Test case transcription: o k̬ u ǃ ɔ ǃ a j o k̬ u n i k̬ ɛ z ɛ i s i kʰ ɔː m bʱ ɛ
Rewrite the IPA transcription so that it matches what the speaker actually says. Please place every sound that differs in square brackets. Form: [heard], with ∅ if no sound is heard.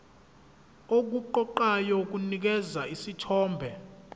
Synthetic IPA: o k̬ u ǃ ɔ ǃ a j [ɔ] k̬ u n i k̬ ɛ z [a] i s i [tʰ] ɔː m bʱ ɛ